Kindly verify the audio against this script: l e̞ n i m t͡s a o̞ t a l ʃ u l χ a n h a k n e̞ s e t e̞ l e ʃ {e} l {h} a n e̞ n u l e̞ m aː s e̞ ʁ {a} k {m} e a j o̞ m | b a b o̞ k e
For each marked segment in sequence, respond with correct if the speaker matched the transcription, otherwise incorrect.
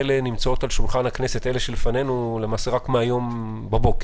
correct, incorrect: f, correct, correct

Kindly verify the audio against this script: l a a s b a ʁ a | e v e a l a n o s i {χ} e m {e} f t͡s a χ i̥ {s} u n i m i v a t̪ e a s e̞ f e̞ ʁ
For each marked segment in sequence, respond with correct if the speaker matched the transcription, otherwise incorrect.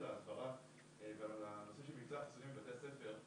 incorrect: ʃ, incorrect: i, correct

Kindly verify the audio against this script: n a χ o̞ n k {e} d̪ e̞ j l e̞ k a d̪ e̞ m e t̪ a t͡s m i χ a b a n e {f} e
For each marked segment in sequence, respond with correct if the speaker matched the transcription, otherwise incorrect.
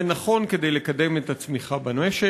correct, incorrect: ʃ

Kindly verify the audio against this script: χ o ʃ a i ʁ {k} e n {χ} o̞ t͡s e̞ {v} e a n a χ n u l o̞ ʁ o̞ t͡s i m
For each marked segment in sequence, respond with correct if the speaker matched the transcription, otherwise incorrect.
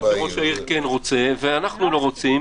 correct, incorrect: ʁ, correct

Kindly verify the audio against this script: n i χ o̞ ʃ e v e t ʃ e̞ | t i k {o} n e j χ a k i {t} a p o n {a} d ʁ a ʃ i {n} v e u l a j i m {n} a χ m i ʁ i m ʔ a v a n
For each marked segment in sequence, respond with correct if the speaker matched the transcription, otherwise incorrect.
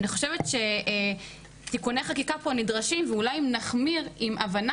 incorrect: u, incorrect: k, incorrect: i, incorrect: m, correct

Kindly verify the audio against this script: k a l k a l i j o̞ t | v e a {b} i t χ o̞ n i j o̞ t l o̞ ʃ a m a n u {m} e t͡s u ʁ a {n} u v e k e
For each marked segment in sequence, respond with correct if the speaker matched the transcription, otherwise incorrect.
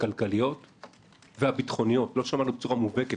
correct, incorrect: b, incorrect: m

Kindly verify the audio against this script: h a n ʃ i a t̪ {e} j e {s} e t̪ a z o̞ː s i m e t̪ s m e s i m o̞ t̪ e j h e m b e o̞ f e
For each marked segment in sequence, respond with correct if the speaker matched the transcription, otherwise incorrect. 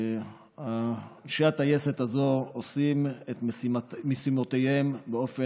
incorrect: a, correct

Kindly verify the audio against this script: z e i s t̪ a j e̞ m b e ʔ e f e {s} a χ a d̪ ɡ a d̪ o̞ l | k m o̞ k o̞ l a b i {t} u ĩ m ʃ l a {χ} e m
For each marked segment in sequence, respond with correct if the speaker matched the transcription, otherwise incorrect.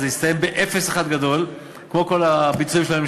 correct, incorrect: t͡s, incorrect: none

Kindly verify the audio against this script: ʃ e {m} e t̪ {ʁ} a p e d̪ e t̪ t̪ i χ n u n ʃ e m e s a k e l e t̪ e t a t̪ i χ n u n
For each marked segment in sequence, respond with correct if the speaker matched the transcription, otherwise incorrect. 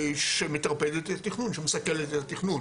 correct, correct

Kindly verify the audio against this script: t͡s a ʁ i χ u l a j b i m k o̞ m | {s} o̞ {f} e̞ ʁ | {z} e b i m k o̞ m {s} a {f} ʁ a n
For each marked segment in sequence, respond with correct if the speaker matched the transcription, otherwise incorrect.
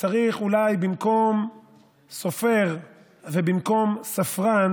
correct, correct, incorrect: v, correct, correct

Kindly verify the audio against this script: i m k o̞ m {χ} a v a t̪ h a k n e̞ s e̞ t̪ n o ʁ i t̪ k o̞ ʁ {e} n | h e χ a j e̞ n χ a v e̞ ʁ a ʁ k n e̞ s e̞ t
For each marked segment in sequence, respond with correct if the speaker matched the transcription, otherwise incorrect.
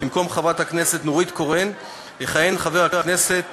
correct, correct

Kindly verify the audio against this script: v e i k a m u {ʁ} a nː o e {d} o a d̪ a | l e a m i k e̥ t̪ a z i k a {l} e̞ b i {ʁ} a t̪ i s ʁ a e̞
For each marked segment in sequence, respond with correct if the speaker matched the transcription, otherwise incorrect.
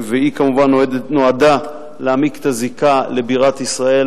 incorrect: v, incorrect: n, correct, correct

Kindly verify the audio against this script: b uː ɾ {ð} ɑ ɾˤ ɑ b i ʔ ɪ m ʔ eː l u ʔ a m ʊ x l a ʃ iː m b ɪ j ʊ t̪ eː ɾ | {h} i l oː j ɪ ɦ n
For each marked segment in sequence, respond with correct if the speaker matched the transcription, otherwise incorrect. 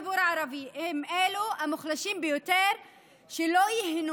incorrect: ʕ, incorrect: ʃ

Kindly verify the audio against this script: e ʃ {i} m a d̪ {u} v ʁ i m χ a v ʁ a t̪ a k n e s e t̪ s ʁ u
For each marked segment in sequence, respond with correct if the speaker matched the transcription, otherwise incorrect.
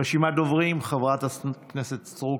correct, incorrect: o

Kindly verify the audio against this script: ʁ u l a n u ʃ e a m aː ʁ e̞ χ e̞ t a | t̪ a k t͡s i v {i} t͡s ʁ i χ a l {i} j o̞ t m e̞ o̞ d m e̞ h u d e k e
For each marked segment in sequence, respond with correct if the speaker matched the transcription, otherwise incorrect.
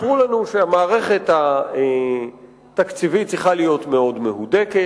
correct, correct

